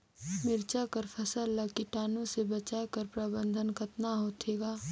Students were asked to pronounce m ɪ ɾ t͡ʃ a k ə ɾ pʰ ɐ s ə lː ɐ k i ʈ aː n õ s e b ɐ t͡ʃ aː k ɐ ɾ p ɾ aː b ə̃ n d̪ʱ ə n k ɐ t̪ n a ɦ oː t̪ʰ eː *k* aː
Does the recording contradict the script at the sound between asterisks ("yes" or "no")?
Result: yes